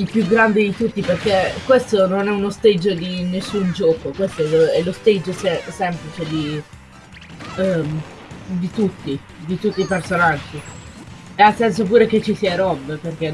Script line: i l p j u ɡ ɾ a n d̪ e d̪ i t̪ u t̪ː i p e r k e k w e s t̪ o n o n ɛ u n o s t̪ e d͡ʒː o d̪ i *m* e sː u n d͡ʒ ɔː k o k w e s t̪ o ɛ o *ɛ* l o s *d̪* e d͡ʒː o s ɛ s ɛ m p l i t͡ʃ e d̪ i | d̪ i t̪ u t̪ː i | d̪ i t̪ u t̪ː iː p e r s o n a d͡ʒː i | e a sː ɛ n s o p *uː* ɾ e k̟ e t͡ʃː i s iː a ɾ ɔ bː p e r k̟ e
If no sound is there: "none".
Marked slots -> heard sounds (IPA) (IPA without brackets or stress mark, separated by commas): n, ɛ, t̪, uː